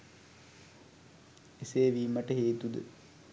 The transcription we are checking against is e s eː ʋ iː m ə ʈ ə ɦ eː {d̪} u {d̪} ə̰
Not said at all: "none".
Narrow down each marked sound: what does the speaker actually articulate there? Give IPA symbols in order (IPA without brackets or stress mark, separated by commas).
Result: t̪, d̪